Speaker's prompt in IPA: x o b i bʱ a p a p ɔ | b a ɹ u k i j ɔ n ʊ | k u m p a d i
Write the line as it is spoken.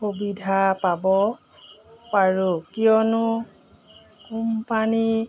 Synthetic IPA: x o b i dʱ a p a b ɔ | p a ɹ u k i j ɔ n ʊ | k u m p a n i